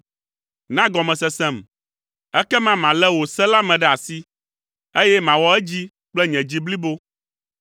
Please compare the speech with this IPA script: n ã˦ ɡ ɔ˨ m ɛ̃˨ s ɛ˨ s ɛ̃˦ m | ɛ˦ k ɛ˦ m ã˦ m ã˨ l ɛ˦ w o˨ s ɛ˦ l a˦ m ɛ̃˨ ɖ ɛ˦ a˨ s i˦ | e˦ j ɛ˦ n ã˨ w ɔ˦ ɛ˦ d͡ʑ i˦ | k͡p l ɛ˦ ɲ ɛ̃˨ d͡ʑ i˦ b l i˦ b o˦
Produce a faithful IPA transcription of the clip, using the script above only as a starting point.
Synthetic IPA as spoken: n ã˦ ɡ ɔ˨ m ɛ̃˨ s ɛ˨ s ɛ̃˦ m | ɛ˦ k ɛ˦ m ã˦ m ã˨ l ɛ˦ w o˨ s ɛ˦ l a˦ m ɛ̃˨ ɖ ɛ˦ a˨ s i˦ | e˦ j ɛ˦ m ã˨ w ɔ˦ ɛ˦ d͡ʑ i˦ | k͡p l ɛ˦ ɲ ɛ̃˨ d͡ʑ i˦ b l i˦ b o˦